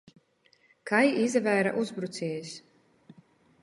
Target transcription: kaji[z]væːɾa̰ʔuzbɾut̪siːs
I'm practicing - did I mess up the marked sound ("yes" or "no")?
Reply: no